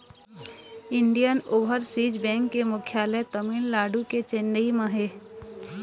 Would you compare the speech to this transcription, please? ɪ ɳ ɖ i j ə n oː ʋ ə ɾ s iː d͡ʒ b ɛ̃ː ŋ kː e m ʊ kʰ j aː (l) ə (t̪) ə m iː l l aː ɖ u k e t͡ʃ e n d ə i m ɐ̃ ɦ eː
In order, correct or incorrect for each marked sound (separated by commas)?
correct, correct